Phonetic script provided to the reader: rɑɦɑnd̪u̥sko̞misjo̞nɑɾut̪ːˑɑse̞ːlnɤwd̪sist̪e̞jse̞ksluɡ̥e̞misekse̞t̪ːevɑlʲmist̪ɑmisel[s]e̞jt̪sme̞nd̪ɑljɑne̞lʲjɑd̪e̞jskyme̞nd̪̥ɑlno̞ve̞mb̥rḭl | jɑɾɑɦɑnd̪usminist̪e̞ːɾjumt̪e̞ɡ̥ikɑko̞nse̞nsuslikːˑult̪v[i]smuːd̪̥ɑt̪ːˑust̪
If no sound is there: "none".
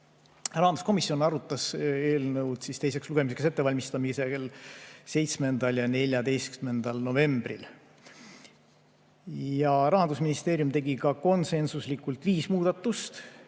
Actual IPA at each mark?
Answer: s, iː

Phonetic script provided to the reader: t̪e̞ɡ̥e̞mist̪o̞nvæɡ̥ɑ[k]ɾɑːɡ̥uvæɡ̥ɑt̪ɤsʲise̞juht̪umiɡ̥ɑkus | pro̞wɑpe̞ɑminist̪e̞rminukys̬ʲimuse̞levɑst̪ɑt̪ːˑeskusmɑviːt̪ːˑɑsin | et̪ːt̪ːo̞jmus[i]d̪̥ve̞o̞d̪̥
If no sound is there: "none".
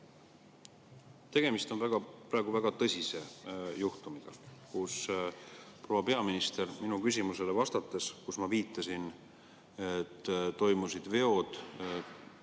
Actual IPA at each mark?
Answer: p, i

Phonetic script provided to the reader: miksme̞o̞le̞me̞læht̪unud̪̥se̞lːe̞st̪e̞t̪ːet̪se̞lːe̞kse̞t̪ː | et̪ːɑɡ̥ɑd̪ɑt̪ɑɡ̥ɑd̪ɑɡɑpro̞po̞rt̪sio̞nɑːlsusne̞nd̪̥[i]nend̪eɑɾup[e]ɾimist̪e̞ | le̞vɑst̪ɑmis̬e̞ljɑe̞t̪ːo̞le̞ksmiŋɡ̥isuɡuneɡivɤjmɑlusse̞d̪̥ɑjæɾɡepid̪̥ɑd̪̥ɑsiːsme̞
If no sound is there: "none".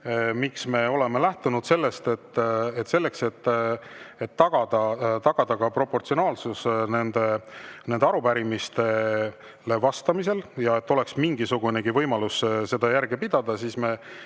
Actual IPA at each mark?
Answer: e, æ

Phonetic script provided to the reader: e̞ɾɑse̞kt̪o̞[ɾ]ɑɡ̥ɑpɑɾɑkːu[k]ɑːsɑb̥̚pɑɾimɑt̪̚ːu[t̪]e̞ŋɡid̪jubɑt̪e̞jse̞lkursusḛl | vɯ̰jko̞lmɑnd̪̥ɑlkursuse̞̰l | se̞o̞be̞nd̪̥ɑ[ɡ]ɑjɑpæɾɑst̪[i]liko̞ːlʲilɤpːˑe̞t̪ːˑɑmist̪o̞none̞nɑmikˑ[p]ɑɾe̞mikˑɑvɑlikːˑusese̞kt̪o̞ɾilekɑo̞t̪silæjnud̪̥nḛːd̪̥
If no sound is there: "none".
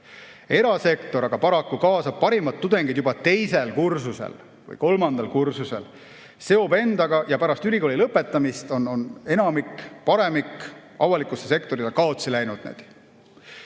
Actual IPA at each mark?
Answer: ɾ, k, d̪, ɡ, y, p

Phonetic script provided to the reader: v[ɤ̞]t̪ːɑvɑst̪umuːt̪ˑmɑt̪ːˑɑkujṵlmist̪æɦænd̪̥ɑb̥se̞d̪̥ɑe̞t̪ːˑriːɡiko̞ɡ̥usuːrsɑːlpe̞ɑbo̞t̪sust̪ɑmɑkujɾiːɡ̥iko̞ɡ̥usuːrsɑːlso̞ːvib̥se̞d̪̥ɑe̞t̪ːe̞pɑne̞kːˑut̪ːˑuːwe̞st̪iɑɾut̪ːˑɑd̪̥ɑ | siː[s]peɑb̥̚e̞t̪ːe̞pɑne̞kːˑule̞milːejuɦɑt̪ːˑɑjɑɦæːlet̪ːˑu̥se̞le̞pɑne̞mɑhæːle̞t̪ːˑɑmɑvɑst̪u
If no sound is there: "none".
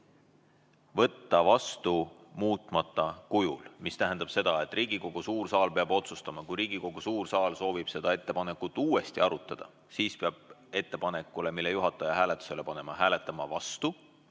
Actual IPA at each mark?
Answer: ɤ̞, s

